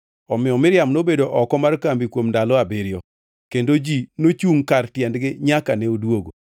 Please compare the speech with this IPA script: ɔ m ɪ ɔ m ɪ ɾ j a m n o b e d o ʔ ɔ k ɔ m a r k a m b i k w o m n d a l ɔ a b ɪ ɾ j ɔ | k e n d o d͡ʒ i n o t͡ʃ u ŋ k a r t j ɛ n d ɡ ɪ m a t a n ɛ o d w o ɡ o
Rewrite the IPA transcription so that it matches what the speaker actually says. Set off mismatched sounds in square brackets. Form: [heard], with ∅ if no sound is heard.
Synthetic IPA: ɔ m ɪ ɔ m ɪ ɾ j a m n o b e d o ʔ ɔ k ɔ m a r k a m b i k w o m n d a l ɔ a b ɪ ɾ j ɔ | k e n d o d͡ʒ i n o t͡ʃ u ŋ k a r t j ɛ n d ɡ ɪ [ɲ] a [k] a n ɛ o d w o ɡ o